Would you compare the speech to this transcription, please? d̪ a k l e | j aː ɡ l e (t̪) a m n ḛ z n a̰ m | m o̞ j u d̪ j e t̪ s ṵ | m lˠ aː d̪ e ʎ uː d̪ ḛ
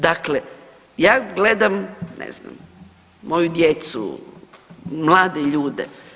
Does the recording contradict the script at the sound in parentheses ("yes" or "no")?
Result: yes